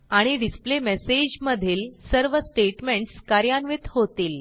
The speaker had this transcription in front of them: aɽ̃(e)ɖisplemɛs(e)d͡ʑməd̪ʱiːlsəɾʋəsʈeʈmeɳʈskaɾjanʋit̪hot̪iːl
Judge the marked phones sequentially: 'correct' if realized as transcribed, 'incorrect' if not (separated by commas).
incorrect, correct